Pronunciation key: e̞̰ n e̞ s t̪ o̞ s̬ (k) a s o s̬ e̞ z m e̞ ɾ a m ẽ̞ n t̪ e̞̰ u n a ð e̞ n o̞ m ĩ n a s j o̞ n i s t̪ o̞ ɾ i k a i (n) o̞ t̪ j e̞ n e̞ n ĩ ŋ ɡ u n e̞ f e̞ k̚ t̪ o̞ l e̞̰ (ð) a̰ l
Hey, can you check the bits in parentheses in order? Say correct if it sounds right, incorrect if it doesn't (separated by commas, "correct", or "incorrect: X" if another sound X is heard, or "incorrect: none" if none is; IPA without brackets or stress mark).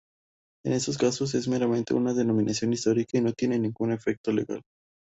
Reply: correct, correct, incorrect: ɣ